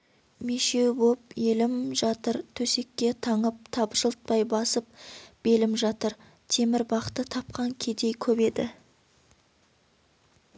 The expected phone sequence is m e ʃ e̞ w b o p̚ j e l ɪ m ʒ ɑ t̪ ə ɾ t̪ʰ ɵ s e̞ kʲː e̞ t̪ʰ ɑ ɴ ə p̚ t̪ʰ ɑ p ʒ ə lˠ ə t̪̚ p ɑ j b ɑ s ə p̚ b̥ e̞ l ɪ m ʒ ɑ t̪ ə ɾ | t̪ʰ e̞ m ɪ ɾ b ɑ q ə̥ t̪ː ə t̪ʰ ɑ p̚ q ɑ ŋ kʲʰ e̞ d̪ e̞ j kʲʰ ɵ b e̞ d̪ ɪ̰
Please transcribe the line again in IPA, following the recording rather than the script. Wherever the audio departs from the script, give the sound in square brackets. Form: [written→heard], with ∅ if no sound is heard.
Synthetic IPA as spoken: m e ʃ e̞ w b o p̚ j e l ɪ m ʒ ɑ t̪ ə ɾ t̪ʰ ɵ s e̞ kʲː e̞ t̪ʰ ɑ ɴ ə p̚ t̪ʰ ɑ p ʒ ə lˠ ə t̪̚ p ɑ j b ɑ s ə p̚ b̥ e̞ l ɪ m ʒ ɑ t̪ ə ɾ | t̪ʰ e̞ m ɪ ɾ b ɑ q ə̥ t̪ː ə t̪ʰ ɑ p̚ q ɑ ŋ kʲʰ e̞ d̪ e̞ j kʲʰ ɵ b e̞ d̪ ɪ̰